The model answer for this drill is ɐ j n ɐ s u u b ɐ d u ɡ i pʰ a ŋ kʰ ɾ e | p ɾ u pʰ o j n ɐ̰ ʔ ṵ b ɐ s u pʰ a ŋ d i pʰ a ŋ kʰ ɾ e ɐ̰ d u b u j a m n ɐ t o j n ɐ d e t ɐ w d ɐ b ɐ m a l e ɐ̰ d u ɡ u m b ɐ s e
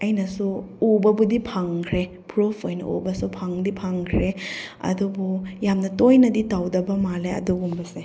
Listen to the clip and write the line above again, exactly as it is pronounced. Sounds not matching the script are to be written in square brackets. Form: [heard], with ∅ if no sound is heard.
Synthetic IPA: ɐ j n ɐ s u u b ɐ [b] u [d] i pʰ a ŋ kʰ ɾ e | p ɾ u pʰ o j n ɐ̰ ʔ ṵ b ɐ s u pʰ a ŋ d i pʰ a ŋ kʰ ɾ e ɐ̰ d u b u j a m n ɐ t o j n ɐ d [i] t [a] w d ɐ b ɐ m a l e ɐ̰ d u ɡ u m b ɐ s e